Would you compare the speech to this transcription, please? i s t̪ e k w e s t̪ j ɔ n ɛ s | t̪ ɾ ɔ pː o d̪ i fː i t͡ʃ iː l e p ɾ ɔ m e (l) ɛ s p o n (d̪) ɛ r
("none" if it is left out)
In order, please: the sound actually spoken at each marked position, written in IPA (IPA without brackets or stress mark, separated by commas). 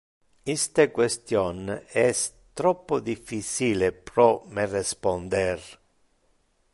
r, d̪